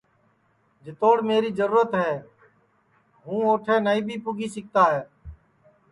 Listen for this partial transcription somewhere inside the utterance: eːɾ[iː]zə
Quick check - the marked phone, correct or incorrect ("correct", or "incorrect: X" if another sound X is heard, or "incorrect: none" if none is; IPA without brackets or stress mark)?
correct